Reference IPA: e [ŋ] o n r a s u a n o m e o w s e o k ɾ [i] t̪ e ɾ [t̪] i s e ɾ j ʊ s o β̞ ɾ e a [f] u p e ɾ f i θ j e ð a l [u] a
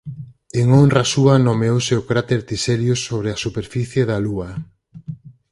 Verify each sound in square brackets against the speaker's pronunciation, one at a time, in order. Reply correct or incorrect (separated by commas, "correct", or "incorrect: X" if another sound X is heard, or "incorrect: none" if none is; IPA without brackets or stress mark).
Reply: correct, incorrect: a, correct, incorrect: s, correct